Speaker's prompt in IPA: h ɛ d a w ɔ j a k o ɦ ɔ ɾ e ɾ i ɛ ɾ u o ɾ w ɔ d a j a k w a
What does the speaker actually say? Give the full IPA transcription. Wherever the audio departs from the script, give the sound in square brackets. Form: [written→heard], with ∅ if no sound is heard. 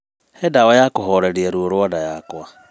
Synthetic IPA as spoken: h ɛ d a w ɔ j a k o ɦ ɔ ɾ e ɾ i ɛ ɾ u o ɾ w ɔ d a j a k w a